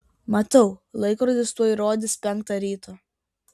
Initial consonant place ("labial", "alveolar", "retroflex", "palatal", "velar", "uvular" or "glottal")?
labial